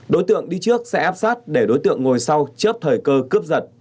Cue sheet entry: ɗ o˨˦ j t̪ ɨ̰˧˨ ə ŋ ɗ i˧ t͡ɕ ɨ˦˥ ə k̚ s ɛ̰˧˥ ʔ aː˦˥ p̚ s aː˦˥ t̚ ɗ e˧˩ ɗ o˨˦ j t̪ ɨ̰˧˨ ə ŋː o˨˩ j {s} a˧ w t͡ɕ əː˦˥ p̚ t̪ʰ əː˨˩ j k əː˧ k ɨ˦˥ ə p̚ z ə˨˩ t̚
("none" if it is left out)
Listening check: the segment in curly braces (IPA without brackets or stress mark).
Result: s